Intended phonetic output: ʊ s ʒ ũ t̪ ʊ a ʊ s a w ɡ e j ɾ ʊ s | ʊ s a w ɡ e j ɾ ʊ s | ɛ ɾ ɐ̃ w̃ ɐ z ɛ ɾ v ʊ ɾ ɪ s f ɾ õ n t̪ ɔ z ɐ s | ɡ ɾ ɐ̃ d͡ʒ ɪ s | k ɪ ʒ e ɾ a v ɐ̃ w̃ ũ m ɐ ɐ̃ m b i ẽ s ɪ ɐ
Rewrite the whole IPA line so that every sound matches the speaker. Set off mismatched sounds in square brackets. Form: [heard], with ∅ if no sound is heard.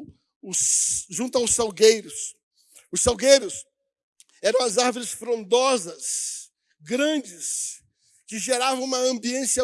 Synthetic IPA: ʊ s ʒ ũ t̪ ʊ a ʊ s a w ɡ e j ɾ ʊ s | ʊ s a w ɡ e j ɾ ʊ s | ɛ ɾ ɐ̃ w̃ ɐ z [a] ɾ v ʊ ɾ ɪ s f ɾ õ n [d̪] ɔ z ɐ s | ɡ ɾ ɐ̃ d͡ʒ ɪ s | k ɪ ʒ e ɾ a v ɐ̃ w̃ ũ m ɐ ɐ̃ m b i ẽ s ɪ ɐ